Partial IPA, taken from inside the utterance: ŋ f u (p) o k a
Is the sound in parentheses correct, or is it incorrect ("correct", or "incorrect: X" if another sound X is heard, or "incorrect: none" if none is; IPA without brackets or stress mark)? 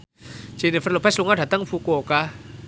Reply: incorrect: k